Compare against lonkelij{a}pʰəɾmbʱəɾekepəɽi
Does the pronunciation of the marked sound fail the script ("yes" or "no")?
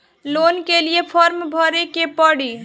yes